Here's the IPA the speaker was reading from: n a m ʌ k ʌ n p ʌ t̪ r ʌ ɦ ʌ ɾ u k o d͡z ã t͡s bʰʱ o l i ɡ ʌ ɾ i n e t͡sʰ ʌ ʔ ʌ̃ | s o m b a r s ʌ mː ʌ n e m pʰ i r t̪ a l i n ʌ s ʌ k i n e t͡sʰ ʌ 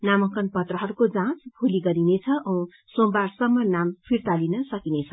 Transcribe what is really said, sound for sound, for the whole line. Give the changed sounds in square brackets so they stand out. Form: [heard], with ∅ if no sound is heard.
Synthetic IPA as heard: n a m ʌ k ʌ n p ʌ t̪ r ʌ ɦ ʌ ɾ u k o d͡z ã t͡s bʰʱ [u] l i ɡ ʌ ɾ i n e t͡sʰ ʌ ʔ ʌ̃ | s o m b a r s ʌ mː ʌ n [a] m pʰ i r t̪ a l i n ʌ s ʌ k i n e t͡sʰ ʌ